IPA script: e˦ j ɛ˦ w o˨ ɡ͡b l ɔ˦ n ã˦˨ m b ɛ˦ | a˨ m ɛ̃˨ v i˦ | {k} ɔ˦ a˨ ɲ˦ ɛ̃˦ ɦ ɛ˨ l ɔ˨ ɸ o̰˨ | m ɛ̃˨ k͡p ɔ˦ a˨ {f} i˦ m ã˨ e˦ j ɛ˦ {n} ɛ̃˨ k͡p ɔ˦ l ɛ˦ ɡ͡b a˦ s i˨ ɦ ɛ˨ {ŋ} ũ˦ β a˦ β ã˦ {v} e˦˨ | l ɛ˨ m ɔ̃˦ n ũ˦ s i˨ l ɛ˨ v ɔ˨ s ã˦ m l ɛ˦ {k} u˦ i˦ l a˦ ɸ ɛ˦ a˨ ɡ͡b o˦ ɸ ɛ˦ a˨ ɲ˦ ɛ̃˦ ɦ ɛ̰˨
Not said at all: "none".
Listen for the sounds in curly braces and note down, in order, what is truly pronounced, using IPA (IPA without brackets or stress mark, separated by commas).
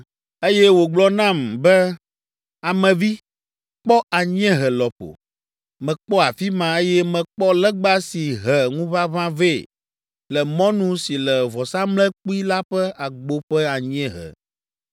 k͡p, f, m, ŋ, v, k͡p